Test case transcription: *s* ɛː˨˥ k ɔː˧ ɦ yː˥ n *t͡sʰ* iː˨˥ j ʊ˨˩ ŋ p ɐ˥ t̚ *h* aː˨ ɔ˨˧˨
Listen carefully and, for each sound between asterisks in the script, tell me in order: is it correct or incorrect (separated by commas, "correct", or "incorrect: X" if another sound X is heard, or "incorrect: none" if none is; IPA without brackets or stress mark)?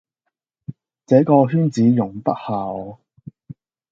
incorrect: t͡s, incorrect: t͡s, correct